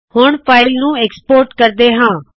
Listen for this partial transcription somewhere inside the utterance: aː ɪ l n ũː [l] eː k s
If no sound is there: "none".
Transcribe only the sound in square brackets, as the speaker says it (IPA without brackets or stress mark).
none